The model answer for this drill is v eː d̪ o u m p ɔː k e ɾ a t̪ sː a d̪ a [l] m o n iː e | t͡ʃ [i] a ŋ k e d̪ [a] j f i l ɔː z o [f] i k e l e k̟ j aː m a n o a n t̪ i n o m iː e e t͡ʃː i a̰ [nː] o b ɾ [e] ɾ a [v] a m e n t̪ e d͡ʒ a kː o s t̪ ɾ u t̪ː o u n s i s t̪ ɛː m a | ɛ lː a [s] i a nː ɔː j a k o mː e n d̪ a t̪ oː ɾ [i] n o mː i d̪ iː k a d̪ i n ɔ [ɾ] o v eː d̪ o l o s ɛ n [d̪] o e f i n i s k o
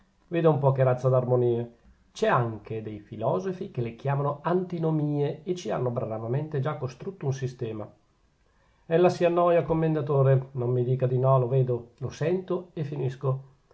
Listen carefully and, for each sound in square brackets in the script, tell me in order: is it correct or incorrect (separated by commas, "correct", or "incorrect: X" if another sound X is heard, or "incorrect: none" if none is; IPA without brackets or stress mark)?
incorrect: r, incorrect: ɛ, incorrect: e, correct, correct, incorrect: a, correct, correct, incorrect: e, incorrect: l, incorrect: t̪